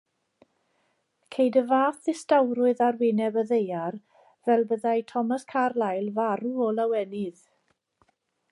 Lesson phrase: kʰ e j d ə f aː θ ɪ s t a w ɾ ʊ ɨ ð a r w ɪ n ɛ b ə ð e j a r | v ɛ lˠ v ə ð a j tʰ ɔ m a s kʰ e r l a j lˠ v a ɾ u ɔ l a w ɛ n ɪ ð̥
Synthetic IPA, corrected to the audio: kʰ e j d ə v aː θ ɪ s t a w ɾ ʊ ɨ ð a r w ɪ n ɛ b ə ð e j a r | v ɛ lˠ b ə ð a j tʰ ɔ m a s kʰ a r l a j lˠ v a ɾ u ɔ l a w ɛ n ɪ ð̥